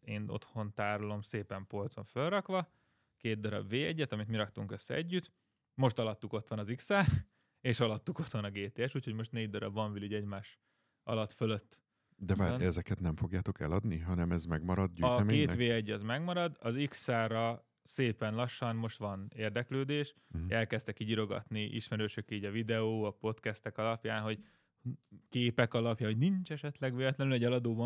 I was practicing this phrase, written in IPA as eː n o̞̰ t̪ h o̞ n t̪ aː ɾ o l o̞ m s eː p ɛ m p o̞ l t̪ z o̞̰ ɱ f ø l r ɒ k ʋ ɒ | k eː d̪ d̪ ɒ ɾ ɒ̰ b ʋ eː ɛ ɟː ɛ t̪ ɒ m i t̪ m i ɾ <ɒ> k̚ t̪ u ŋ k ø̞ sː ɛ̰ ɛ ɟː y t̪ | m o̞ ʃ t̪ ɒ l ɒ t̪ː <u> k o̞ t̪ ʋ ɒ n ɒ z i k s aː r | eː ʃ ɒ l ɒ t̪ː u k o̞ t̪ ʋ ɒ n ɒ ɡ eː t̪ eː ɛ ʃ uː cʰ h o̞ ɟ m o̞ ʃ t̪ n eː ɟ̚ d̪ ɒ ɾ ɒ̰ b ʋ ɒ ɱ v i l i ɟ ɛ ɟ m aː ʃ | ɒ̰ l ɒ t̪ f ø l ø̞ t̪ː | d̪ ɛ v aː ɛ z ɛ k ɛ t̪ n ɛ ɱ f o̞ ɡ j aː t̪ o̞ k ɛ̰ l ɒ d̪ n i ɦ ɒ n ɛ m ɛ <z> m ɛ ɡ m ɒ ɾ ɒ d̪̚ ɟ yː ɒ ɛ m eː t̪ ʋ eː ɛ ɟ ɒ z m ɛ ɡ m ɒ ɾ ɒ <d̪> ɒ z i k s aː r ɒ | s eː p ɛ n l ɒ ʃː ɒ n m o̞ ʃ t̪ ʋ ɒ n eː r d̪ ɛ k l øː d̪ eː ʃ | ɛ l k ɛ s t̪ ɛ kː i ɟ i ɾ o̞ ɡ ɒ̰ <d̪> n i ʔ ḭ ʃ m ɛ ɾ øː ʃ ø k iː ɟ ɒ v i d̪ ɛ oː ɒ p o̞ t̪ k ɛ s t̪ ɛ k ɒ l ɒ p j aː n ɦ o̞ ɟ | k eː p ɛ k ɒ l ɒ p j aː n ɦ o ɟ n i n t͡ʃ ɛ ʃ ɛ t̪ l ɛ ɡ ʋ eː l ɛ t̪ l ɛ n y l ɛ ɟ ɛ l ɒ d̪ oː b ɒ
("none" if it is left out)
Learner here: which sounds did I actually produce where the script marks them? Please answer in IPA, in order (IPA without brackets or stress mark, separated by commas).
ɒ, u, z, d̪, t̪